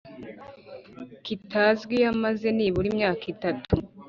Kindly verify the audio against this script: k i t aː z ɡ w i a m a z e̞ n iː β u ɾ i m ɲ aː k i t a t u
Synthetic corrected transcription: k i t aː z ɡ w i a m a z e̞ n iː β u ɾ i m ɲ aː k i t a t u